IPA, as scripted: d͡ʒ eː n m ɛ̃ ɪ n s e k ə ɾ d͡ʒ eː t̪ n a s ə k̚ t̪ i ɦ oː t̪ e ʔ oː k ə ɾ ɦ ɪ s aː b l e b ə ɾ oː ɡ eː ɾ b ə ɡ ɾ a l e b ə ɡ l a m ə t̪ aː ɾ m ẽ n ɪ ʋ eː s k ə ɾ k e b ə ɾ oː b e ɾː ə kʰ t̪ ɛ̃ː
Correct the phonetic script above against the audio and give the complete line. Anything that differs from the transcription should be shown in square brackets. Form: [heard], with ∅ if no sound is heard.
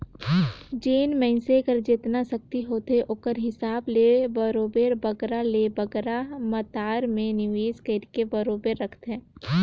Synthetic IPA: d͡ʒ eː n m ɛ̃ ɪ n s e k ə ɾ d͡ʒ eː t̪ n a s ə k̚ t̪ i ɦ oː t̪ e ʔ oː k ə ɾ ɦ ɪ s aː b l e b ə ɾ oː [b] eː ɾ b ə ɡ ɾ a l e b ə ɡ [ɾ] a m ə t̪ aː ɾ m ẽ n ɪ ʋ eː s k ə ɾ k e b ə ɾ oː b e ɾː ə kʰ t̪ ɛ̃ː